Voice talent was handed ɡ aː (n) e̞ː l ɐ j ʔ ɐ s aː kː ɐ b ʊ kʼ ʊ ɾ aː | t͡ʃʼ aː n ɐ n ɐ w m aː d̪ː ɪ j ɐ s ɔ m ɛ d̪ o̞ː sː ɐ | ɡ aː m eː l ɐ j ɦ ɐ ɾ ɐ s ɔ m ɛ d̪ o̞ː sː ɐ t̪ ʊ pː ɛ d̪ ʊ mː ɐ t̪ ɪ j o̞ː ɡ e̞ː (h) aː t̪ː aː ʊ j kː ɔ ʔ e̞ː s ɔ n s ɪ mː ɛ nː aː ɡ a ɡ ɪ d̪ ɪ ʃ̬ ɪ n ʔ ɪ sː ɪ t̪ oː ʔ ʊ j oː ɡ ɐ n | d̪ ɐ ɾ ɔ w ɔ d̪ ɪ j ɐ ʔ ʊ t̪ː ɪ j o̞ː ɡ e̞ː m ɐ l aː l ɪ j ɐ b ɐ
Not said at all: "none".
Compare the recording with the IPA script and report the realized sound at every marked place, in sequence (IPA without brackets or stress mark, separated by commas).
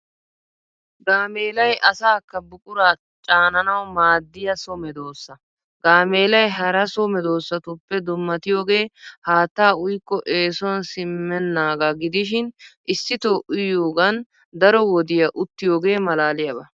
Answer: m, h